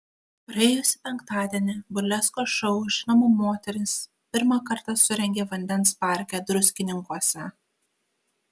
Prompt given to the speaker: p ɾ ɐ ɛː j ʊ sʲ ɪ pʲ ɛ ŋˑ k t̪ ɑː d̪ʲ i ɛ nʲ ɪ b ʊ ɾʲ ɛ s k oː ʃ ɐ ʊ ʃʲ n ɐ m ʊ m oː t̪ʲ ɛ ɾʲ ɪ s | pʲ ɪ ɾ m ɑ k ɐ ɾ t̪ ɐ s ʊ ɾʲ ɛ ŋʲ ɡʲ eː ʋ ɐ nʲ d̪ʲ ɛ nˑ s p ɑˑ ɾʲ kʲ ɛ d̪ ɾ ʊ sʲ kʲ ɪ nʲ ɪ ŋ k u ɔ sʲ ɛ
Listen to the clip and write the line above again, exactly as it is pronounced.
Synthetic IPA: p ɾ ɐ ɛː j ʊ sʲ ɪ pʲ ɛ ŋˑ k t̪ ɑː d̪ʲ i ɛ nʲ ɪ b ʊ lʲ ɛ s k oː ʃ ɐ ʊ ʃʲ n ɐ m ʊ m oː t̪ʲ ɛ ɾʲ ɪ s | pʲ ɪ ɾ m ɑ k ɐ ɾ t̪ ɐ s ʊ ɾʲ ɛ ŋʲ ɡʲ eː ʋ ɐ nʲ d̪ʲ ɛ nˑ s p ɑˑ ɾʲ kʲ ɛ d̪ ɾ ʊ sʲ kʲ ɪ nʲ ɪ ŋ k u ɔ sʲ ɛ